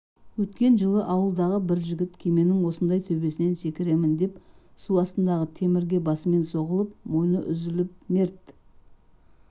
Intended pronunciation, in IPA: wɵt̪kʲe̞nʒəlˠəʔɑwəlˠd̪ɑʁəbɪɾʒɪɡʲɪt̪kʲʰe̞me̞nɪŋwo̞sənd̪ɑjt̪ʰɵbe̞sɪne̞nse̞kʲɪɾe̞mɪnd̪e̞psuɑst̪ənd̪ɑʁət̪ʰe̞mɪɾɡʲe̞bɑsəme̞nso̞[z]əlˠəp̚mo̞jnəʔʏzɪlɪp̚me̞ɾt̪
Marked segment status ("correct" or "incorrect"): incorrect